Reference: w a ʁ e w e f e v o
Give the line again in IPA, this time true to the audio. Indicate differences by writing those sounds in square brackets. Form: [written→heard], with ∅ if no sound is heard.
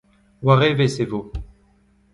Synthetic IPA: w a ʁ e [w→v] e [f→s] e v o